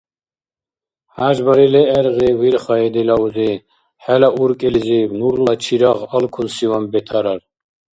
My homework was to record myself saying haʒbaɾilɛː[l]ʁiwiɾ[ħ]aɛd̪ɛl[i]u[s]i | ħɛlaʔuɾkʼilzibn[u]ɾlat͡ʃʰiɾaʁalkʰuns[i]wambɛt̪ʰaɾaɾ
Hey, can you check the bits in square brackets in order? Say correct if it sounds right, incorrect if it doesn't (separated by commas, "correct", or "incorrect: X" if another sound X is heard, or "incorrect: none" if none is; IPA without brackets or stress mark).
incorrect: ɾ, incorrect: χ, incorrect: a, incorrect: z, correct, correct